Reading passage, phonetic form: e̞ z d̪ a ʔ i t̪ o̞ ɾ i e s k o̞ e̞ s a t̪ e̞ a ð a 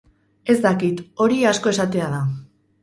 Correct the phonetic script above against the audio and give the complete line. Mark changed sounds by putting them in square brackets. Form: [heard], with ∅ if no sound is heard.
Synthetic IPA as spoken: e̞ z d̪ a [k] i t̪ o̞ ɾ i [a] s k o̞ e̞ s a t̪ e̞ a ð a